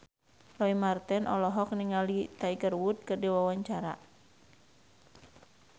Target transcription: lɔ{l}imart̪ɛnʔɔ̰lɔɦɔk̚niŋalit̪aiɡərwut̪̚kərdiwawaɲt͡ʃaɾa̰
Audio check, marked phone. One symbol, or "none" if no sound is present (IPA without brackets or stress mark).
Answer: none